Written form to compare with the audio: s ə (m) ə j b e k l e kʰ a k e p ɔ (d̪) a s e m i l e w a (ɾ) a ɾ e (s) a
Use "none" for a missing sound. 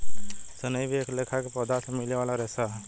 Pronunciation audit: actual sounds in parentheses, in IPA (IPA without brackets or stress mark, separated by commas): n, d̪, l, s